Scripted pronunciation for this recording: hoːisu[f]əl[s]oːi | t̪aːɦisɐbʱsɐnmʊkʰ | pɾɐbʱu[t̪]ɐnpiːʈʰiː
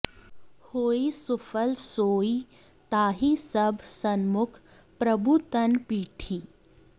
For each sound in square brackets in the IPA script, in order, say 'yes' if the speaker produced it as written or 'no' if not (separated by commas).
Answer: yes, yes, yes